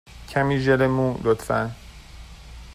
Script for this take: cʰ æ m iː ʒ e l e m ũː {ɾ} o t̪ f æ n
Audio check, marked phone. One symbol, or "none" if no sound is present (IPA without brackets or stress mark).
l